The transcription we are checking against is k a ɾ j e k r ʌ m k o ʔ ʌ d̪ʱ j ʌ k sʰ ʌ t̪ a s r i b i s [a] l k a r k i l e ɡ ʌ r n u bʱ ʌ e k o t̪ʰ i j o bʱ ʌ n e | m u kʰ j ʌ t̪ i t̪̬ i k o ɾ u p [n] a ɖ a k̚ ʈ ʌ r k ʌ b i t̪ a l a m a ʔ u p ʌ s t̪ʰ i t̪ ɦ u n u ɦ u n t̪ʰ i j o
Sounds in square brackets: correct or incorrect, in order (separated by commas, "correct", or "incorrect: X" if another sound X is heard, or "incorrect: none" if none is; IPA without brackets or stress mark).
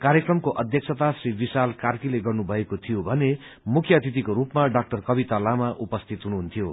correct, incorrect: m